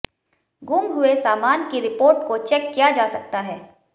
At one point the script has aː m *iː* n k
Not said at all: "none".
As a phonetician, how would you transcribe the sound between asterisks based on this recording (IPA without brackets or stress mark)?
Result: aː